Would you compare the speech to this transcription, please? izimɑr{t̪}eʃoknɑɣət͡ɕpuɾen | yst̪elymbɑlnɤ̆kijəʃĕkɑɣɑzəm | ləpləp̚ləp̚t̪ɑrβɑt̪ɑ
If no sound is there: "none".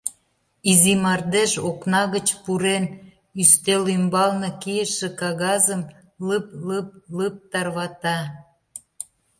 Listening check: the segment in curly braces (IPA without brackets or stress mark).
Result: d̪